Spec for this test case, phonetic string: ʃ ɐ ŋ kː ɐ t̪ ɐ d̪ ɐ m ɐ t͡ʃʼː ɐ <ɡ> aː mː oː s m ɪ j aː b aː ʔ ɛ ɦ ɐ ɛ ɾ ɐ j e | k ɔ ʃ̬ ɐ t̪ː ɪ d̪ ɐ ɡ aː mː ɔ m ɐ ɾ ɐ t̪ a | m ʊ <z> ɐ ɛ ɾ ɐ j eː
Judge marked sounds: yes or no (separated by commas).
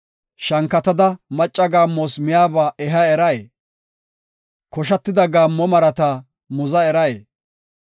yes, yes